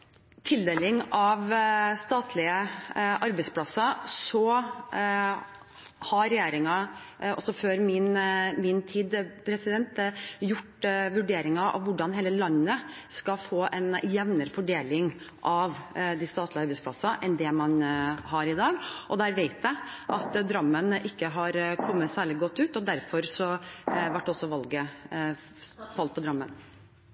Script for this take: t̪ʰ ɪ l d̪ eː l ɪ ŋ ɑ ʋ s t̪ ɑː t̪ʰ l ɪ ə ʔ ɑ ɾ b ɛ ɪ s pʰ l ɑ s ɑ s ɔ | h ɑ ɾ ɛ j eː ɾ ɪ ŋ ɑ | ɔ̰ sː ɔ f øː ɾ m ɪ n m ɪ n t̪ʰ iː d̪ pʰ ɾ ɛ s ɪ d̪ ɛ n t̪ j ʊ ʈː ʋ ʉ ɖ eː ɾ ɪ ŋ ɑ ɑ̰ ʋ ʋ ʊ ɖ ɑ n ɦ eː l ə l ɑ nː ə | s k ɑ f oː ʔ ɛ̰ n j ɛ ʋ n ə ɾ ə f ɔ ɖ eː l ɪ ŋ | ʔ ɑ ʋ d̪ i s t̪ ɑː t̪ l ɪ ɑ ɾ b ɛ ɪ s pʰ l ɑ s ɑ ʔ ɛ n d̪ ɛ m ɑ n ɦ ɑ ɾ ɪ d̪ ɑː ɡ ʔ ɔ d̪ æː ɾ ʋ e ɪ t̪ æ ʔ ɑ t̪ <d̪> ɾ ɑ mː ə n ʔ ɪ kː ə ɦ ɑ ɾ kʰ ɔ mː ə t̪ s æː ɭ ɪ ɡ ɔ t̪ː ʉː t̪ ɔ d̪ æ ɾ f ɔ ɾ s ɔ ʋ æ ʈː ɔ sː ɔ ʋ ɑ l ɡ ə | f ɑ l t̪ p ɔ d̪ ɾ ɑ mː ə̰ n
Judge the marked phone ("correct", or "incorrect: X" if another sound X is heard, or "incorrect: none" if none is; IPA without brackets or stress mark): correct